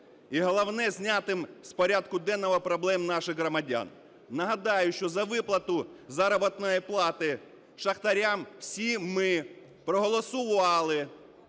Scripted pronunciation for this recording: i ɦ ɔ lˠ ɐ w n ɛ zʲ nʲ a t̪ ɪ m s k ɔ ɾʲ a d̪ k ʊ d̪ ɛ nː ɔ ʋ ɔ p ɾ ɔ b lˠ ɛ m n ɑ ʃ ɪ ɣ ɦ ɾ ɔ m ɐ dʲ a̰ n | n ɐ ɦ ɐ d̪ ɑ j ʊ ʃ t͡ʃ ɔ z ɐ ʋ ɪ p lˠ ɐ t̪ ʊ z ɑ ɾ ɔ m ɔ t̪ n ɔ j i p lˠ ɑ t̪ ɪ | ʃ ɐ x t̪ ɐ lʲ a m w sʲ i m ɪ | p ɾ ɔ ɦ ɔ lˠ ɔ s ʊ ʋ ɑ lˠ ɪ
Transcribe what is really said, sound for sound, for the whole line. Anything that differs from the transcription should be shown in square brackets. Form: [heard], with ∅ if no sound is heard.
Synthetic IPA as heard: i ɦ ɔ lˠ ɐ w n ɛ zʲ nʲ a t̪ ɪ m s [p] ɔ ɾʲ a d̪ k ʊ d̪ ɛ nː ɔ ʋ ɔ p ɾ ɔ b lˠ ɛ m n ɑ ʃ ɪ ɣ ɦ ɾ ɔ m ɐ dʲ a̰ n | n ɐ ɦ ɐ d̪ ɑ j ʊ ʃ t͡ʃ ɔ z ɐ ʋ ɪ p lˠ ɐ t̪ ʊ z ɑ ɾ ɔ [b] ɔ t̪ n ɔ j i p lˠ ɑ t̪ ɪ | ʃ ɐ x t̪ ɐ [ɾʲ] a m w sʲ i m ɪ | p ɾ ɔ ɦ ɔ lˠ ɔ s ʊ ʋ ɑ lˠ ɪ